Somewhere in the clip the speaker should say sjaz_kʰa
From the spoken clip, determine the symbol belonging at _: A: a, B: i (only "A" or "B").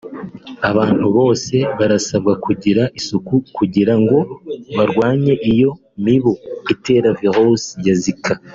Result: B